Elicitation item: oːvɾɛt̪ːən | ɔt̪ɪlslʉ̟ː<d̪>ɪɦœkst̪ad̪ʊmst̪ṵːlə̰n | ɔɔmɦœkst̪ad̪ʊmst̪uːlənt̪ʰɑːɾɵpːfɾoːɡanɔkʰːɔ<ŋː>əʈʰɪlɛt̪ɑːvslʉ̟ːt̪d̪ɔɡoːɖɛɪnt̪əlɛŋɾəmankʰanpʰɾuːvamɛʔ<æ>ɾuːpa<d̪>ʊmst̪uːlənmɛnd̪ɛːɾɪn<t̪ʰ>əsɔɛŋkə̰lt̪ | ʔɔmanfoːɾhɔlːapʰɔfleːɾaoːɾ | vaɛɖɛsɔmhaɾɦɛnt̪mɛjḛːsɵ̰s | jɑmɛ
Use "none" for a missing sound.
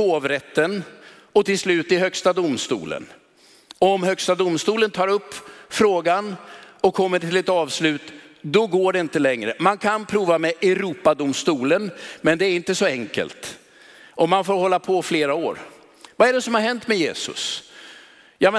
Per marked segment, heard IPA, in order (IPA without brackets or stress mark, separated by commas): t̪, mː, ɛ, d̪, t̪